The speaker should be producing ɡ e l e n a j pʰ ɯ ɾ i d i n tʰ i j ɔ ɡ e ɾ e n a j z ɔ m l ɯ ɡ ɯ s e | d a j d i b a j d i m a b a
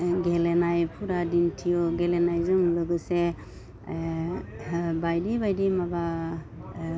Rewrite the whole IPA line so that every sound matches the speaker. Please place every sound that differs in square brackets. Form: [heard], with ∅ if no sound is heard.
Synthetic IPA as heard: ɡ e l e n a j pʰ [u] ɾ [a] d i n tʰ i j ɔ ɡ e [l] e n a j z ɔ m l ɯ ɡ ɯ s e | [b] a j d i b a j d i m a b a